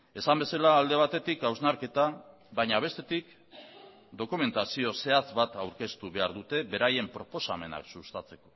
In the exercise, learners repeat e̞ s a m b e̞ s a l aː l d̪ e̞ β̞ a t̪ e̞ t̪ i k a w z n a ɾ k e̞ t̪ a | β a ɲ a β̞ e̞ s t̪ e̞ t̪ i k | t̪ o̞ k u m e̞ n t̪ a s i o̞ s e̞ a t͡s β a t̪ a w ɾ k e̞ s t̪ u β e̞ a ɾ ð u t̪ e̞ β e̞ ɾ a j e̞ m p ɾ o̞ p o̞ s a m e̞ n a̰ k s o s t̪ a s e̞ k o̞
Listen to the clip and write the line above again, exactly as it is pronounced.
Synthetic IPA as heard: e̞ s a m b e̞ s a l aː l d̪ e̞ β̞ a t̪ e̞ t̪ i k a w z n a ɾ k e̞ t̪ a | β a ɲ a β̞ e̞ s t̪ e̞ t̪ i k | d̪ o̞ k u m e̞ n t̪ a s i o̞ s e̞ a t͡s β a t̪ a w ɾ k e̞ s t̪ u β e̞ a ɾ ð u t̪ e̞ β e̞ ɾ a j e̞ m p ɾ o̞ p o̞ s a m e̞ n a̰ k s u s t̪ a t͡s e̞ k o̞